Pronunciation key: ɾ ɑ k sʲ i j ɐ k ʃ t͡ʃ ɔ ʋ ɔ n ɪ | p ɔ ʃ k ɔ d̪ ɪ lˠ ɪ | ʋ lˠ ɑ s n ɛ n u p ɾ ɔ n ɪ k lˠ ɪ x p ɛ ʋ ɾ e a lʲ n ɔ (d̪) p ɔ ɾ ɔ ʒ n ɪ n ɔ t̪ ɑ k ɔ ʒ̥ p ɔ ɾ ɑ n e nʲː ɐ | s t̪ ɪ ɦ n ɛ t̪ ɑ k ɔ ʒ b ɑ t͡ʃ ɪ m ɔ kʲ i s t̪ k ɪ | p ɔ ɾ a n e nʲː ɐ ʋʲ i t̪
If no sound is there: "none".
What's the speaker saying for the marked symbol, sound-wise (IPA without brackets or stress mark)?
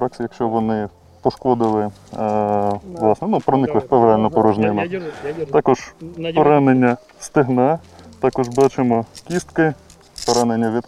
none